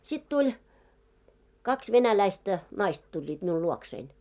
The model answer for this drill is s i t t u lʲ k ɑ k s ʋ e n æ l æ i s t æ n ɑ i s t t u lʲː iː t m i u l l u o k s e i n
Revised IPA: s i t t u lʲ k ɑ k s ʋ e n æ l æ i s t æ n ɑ i s t t u lʲː iː t m i u l l u o k s e i n

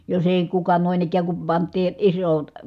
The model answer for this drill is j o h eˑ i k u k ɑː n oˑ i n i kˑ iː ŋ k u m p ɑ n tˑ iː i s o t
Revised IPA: j o s eˑ i k u k ɑ n oˑ i n i kˑ æː ŋ k u m p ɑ n tˑ iː i s o t

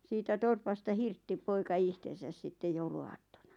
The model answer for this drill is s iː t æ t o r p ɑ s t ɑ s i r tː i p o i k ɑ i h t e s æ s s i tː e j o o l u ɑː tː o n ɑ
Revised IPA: s iː t æ t o r p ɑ s t ɑ h i r tː i p o i k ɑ i h t e s æ s s i tː e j o u l u ɑː tː o n ɑ

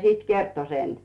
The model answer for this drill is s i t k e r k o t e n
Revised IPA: s i t k e r t o s e n

